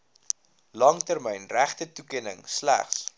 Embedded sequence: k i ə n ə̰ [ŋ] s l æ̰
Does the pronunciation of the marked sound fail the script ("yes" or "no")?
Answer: no